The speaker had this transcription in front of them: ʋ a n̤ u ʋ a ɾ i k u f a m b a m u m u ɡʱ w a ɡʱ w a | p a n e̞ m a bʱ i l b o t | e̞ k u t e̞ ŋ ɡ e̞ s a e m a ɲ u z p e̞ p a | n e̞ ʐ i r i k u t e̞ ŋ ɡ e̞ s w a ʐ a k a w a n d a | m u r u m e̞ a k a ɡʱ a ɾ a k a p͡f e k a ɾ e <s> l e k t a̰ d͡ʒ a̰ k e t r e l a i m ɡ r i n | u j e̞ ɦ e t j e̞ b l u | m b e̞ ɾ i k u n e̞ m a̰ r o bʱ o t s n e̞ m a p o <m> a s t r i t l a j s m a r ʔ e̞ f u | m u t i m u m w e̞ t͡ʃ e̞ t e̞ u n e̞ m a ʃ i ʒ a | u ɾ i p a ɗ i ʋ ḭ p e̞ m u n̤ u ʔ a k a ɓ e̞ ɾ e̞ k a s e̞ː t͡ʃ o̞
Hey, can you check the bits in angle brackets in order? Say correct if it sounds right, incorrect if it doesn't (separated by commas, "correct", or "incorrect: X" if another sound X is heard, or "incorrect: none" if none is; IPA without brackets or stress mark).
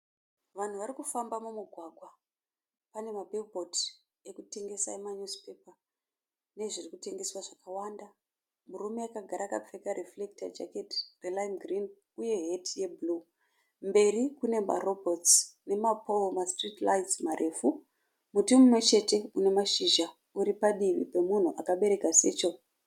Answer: incorrect: f, correct